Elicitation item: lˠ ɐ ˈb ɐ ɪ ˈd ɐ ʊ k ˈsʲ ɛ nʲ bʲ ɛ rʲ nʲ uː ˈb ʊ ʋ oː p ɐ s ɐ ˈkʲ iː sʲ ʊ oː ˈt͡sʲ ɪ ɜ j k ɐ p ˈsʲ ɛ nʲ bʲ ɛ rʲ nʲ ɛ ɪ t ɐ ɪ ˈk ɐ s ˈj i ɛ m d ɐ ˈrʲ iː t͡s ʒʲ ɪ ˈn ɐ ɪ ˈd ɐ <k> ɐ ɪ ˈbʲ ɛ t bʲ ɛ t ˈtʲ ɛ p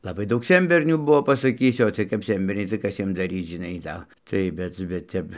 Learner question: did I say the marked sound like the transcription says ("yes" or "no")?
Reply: no